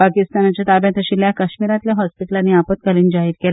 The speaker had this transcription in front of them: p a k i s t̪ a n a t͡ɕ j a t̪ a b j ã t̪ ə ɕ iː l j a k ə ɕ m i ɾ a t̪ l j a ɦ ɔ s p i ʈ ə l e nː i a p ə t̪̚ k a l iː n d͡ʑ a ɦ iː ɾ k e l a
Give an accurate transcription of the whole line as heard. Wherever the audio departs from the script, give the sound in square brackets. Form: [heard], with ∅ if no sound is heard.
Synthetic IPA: p a k i s t̪ a n a t͡ɕ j a t̪ a b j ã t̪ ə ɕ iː l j a k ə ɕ m i ɾ a t̪ l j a ɦ ɔ s p i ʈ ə l [a] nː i a p ə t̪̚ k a l iː n d͡ʑ a ɦ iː ɾ k e l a